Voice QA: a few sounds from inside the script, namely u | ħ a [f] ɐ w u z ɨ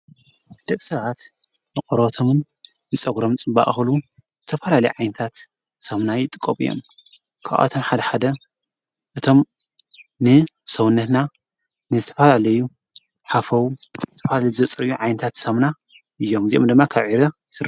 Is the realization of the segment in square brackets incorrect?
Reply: no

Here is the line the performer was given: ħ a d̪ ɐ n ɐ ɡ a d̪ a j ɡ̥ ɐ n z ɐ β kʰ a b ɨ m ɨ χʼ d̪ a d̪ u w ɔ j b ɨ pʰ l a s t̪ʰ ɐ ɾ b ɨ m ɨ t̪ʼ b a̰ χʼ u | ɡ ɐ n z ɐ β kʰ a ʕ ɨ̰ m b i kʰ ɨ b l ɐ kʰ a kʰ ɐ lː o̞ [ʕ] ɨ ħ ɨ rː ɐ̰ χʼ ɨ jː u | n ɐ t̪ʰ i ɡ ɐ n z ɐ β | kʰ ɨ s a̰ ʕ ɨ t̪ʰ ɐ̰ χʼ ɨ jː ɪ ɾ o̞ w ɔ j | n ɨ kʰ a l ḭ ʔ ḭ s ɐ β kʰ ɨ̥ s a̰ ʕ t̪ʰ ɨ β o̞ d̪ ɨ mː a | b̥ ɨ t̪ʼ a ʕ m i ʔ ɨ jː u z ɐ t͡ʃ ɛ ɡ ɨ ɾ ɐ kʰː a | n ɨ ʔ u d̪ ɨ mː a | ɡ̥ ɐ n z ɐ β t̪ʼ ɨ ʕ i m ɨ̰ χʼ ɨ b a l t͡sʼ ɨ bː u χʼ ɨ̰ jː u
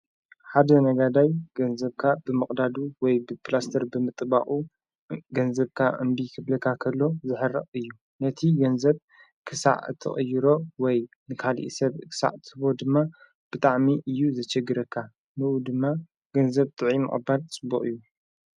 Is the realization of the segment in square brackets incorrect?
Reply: yes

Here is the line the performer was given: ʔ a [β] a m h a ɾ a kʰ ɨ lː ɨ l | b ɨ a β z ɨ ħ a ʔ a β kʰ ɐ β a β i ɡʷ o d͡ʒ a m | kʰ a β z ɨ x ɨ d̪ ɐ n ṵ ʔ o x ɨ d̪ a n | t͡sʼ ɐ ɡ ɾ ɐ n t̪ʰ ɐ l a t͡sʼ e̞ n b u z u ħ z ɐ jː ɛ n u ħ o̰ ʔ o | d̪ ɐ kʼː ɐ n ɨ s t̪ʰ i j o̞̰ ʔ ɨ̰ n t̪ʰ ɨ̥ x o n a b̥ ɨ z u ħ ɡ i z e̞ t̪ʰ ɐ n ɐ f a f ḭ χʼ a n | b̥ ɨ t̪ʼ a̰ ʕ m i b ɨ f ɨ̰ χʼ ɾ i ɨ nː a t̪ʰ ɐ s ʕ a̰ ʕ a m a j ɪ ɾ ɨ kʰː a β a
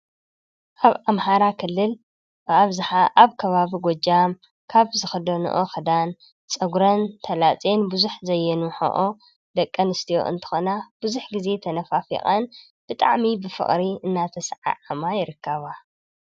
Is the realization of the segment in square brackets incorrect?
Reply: no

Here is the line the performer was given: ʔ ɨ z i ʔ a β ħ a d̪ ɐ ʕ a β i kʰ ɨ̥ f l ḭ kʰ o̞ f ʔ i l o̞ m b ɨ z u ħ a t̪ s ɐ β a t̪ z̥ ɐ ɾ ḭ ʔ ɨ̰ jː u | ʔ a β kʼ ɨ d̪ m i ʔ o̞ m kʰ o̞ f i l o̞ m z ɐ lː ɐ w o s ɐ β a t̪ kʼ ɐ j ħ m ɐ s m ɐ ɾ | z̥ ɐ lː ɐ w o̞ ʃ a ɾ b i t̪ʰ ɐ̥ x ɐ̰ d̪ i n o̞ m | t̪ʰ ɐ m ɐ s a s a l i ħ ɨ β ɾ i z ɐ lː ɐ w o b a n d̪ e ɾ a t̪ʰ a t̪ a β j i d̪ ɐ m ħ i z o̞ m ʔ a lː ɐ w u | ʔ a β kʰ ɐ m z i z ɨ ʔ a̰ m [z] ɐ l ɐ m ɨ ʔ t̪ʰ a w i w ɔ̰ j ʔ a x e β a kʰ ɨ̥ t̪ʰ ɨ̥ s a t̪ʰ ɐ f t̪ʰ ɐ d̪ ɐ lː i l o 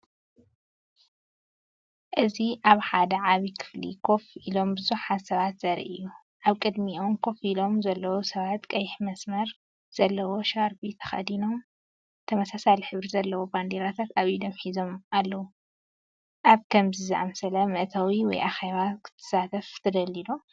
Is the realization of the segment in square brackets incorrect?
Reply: yes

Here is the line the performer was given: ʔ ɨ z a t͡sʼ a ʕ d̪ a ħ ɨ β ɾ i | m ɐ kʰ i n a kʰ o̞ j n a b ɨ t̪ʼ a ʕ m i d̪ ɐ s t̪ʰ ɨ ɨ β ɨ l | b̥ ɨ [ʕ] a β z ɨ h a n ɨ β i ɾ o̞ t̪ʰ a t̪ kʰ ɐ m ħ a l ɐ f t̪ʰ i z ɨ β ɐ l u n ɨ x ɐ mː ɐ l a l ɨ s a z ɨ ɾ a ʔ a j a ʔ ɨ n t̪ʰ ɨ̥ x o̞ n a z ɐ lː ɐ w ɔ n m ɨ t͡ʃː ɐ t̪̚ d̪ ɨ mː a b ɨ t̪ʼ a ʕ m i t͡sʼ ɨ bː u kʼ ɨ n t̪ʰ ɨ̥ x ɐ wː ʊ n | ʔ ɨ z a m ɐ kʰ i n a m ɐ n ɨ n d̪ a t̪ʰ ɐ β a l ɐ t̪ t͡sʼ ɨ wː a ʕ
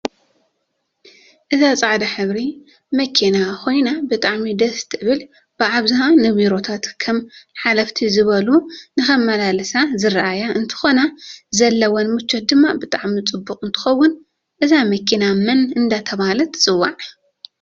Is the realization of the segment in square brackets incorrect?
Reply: no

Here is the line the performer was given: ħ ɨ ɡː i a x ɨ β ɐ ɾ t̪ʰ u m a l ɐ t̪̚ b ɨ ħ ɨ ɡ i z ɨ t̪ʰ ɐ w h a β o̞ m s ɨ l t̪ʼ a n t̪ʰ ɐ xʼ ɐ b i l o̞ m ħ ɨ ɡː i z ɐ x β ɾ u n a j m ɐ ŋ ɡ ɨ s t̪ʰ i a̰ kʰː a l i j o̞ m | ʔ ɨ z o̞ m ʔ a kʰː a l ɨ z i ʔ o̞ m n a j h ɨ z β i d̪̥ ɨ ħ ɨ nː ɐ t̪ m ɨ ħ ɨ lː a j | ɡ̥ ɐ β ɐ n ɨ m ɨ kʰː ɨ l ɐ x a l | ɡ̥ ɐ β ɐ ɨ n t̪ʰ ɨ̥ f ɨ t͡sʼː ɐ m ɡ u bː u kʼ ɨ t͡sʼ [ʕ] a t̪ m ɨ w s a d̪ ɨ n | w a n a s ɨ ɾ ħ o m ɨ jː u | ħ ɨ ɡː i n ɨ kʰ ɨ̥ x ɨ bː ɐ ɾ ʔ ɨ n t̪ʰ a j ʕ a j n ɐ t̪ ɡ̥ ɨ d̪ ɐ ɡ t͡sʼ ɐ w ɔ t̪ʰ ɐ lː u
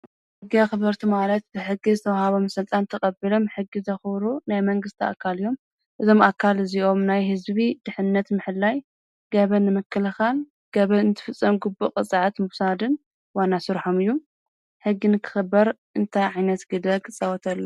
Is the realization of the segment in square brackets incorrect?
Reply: no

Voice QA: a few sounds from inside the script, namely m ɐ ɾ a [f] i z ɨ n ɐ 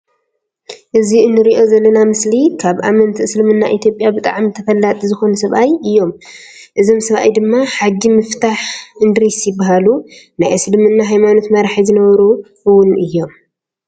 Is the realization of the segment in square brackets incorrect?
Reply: yes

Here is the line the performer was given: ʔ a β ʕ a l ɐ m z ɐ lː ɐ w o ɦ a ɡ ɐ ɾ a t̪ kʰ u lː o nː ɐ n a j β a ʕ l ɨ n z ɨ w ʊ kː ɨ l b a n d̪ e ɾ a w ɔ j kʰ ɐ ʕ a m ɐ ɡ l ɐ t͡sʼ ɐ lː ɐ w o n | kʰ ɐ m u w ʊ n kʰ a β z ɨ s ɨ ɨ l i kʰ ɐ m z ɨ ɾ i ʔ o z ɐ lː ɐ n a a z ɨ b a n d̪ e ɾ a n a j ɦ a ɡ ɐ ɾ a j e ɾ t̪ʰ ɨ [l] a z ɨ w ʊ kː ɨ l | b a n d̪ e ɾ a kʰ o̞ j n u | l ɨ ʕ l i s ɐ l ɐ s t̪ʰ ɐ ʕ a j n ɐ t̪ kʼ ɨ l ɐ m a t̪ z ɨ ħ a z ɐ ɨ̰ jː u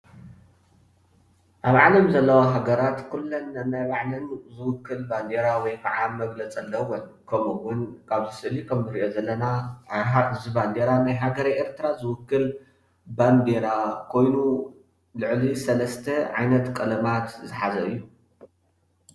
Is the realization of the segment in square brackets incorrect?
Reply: yes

